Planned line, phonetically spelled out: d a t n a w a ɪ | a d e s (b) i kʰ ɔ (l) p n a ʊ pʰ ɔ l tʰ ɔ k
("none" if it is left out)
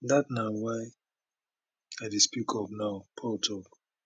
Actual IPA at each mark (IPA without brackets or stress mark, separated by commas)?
p, none